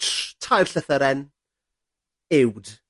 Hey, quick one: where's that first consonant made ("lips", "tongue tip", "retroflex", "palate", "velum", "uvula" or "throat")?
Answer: tongue tip